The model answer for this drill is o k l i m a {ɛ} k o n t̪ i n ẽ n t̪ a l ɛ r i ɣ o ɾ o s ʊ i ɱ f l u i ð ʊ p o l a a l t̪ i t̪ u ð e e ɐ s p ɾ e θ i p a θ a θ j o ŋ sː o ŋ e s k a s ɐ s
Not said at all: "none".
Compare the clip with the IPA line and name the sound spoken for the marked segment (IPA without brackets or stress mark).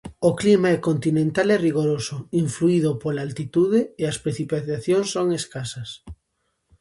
ɛ